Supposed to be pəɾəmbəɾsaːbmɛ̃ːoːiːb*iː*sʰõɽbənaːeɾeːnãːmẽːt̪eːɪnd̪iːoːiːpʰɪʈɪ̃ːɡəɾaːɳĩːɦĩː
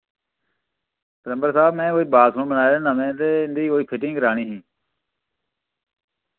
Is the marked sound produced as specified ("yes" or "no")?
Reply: no